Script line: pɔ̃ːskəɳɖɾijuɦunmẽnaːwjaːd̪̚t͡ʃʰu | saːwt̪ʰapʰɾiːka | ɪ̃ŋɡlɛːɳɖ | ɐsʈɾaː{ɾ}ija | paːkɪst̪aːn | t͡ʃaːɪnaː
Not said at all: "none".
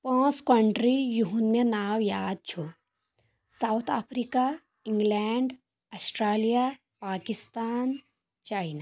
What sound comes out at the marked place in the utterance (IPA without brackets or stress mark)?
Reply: l